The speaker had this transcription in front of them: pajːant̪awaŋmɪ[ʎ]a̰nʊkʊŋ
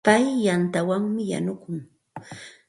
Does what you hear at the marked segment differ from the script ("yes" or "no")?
yes